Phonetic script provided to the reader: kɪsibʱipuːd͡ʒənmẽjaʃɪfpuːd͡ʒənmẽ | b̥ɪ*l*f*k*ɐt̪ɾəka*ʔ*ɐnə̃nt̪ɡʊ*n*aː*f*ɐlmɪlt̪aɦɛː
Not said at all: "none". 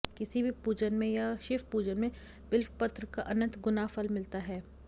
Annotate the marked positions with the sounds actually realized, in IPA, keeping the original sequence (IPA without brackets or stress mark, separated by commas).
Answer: l, p, ʔ, n, f